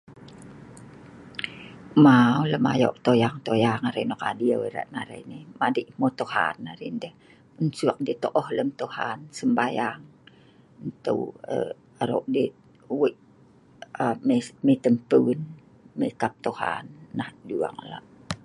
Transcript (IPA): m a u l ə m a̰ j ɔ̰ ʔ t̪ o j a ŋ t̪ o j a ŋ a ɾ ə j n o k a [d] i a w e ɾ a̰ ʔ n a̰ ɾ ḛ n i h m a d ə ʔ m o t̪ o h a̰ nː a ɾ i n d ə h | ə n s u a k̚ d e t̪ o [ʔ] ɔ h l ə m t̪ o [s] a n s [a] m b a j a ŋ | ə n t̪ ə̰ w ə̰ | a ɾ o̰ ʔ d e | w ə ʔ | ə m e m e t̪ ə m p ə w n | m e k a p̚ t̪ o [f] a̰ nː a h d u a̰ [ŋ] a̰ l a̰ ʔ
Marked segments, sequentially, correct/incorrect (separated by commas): correct, correct, incorrect, incorrect, incorrect, correct